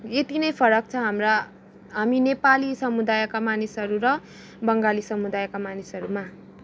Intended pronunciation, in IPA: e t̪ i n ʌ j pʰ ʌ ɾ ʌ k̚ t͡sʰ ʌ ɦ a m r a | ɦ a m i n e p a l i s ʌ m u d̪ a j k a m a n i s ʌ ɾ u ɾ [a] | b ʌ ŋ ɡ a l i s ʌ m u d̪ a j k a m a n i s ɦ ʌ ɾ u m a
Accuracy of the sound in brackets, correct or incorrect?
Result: incorrect